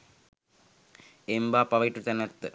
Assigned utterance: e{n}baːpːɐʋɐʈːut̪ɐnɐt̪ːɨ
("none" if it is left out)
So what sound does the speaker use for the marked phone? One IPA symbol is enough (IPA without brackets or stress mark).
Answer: m